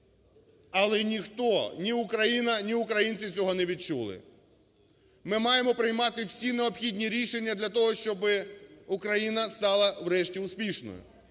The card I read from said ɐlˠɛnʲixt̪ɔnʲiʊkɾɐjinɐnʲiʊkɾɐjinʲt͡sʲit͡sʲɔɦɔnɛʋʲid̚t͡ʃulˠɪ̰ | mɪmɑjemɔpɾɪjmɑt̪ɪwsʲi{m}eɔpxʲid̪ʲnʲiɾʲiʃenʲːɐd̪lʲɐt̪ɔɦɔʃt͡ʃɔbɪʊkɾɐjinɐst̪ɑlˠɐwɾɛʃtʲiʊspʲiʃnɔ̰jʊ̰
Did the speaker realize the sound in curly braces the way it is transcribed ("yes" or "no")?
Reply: no